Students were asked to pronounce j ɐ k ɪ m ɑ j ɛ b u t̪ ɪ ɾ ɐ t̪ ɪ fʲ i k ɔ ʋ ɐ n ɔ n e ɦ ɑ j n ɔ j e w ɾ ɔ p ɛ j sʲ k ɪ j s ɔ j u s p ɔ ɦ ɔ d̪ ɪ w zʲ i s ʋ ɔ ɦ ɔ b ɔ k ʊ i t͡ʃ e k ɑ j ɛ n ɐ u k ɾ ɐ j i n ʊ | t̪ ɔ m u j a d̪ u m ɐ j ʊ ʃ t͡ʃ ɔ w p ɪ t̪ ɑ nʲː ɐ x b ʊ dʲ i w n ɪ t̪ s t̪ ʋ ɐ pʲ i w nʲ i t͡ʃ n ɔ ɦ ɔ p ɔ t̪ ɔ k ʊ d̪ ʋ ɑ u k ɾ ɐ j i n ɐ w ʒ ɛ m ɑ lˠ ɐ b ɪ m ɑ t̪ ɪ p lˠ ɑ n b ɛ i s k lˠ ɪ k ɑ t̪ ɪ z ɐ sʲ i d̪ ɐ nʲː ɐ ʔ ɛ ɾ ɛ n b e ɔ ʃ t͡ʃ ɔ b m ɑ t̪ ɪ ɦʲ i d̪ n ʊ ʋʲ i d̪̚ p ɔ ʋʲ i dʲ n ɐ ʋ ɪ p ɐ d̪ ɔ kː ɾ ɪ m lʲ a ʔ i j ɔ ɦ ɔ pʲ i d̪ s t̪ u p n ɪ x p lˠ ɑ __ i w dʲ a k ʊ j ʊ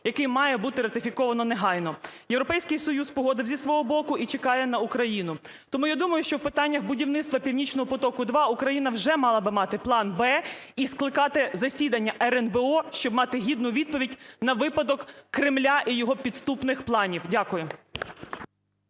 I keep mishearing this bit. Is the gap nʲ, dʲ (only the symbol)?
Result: nʲ